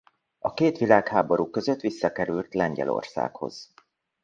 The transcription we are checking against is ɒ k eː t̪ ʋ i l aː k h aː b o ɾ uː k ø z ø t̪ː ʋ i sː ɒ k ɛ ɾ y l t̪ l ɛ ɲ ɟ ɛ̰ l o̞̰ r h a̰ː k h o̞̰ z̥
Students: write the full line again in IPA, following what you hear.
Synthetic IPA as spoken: ɒ k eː t̪ ʋ i l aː k h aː b o ɾ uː k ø z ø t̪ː ʋ i sː ɒ k ɛ ɾ y l t̪ l ɛ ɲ ɟ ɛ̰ l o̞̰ r s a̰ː k h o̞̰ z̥